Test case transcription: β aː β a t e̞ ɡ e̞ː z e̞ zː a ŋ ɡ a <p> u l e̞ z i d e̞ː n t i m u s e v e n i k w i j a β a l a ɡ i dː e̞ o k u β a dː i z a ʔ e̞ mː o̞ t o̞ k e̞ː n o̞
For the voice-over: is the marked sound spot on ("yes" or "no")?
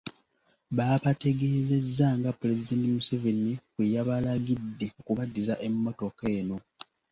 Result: yes